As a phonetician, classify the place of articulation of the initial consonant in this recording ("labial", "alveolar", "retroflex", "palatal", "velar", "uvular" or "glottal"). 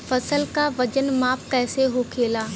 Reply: labial